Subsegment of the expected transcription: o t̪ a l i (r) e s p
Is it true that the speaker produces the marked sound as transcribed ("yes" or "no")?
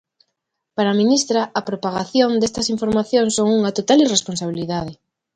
yes